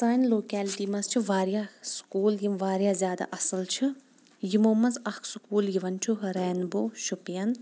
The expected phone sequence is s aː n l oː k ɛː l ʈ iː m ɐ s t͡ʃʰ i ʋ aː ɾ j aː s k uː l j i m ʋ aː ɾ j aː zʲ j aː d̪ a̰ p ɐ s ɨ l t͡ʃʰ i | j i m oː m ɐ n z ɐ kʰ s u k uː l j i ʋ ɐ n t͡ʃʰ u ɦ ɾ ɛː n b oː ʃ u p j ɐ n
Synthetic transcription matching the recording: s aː n l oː k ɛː l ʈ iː m ɐ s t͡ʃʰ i ʋ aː ɾ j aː s k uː l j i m ʋ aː ɾ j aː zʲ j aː d̪ a̰ ʔ ɐ s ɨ l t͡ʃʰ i | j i m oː m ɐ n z ɐ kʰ s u k uː l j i ʋ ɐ n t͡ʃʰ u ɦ ɾ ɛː n b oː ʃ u p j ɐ n

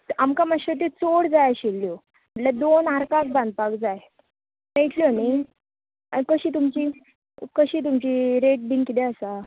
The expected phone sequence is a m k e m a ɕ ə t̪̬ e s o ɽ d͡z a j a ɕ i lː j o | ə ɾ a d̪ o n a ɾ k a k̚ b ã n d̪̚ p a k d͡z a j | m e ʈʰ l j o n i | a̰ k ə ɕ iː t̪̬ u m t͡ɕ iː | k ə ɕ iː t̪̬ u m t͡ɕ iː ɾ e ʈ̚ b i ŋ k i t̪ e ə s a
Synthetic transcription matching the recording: a m k a m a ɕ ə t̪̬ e t͡s o ɽ d͡z a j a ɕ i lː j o | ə l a d̪ o n a ɾ k a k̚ b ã n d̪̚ p a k d͡z a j | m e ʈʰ l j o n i | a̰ k ə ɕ iː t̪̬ u m t͡ɕ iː | k ə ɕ iː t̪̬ u m t͡ɕ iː ɾ e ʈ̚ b i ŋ k i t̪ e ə s a

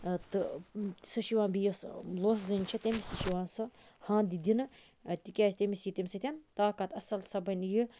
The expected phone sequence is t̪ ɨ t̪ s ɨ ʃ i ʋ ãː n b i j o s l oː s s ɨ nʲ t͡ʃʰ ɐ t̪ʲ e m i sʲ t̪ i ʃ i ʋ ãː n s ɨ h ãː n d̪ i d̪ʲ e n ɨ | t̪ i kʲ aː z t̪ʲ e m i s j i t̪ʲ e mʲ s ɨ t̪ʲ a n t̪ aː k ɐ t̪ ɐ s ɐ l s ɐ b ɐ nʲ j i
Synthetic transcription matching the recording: t̪ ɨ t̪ s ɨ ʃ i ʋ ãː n b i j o s l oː s z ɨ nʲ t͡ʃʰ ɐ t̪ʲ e m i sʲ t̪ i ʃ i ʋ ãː n s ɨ h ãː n d̪ i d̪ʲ i n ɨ | t̪ i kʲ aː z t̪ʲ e m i s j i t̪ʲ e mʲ s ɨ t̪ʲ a n t̪ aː k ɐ t̪ ɐ s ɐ l s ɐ b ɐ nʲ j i

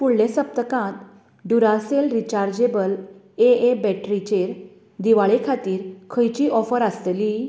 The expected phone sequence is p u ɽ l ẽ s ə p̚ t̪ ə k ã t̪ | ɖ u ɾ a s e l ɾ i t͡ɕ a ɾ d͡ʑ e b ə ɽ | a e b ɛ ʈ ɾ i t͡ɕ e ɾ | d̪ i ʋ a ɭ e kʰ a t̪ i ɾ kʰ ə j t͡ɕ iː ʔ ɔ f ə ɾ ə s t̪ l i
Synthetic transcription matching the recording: p u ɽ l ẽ s ə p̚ t̪ ə k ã t̪ | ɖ u ɾ a s e l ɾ i t͡ɕ a ɾ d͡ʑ e b ə l | e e b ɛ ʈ ɾ i t͡ɕ e ɾ | d̪ i ʋ a ɭ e kʰ a t̪ iː ɾ kʰ ə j t͡ɕ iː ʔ ɔ f ə ɾ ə s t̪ l i

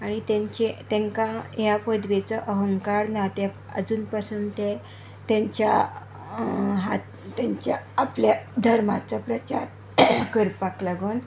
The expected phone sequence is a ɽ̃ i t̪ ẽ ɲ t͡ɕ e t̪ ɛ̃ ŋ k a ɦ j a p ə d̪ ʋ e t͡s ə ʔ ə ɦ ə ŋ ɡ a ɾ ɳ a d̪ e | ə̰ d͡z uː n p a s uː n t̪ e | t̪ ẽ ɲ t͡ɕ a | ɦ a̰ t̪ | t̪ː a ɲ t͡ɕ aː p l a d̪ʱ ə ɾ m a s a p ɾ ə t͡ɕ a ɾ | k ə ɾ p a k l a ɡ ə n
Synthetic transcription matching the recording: a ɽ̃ i t̪ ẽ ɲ t͡ɕ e t̪ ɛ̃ ŋ k a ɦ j a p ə d̪ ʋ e t͡s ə ʔ ə ɦ ə ŋ k a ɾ n a t̪ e | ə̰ d͡z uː n p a s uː n t̪ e | t̪ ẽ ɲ t͡ɕ a | ɦ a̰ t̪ | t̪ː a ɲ t͡ɕ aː p l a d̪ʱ ə ɾ m a t͡s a p ɾ ə t͡ɕ a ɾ | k ə ɾ p a k l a ɡ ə n

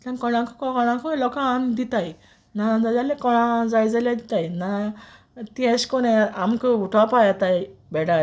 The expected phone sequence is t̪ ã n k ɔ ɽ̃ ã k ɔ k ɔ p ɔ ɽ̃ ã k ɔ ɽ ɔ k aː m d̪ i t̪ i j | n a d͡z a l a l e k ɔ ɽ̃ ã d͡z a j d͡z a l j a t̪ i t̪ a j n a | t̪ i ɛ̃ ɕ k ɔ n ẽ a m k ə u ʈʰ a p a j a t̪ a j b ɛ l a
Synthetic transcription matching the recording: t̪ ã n k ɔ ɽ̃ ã k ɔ k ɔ k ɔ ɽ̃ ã k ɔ l ɔ k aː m d̪ i t̪ a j | n a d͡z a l a l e k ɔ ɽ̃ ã d͡z a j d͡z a l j a d̪ i t̪ a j n a | t̪ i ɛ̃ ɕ k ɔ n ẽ a m k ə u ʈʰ a p a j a t̪ a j b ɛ ɽ a

